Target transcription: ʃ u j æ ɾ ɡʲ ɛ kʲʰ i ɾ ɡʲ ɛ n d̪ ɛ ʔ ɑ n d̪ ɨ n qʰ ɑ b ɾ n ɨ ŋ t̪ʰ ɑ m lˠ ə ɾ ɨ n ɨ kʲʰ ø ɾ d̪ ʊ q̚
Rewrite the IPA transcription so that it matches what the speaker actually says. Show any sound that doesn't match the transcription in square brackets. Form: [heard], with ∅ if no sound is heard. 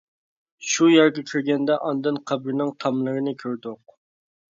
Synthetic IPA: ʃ u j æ ɾ ɡʲ ɛ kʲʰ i ɾ ɡʲ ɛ n d̪ ɛ ʔ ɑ n d̪ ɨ n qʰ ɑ b ɾ n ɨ ŋ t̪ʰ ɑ m lˠ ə ɾ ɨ n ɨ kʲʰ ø ɾ d̪ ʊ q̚